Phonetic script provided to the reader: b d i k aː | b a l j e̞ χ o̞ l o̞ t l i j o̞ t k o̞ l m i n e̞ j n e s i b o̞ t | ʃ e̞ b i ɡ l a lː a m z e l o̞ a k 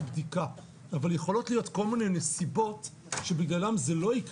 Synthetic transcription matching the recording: b d i k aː | v a l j e̞ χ o̞ l o̞ t l i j o̞ t k o̞ l m i n e̞ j n e s i b o̞ t | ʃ e̞ b i ɡ l a l a m z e l o̞ i k